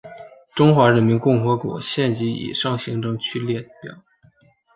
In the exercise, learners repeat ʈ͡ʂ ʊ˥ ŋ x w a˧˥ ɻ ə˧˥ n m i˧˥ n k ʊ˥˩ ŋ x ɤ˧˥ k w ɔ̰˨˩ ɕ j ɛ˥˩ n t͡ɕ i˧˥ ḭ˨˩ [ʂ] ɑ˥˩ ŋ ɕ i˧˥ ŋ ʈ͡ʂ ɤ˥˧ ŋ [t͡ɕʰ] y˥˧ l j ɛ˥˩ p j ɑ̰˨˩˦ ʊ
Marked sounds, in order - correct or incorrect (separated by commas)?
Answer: correct, correct